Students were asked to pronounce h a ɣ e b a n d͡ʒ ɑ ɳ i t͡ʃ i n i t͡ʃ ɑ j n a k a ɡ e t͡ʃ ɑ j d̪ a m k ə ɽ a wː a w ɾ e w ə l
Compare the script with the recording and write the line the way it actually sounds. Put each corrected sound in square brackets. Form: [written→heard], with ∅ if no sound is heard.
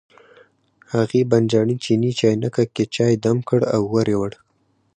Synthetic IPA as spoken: h a ɣ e b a n d͡ʒ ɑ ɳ i t͡ʃ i n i t͡ʃ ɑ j n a k a [ɡ→k] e t͡ʃ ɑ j d̪ a m k ə ɽ a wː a [w→∅] ɾ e w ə [l→ɽ]